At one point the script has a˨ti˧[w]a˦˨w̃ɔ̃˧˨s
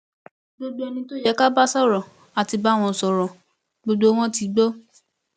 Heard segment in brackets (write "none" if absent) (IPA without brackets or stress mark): b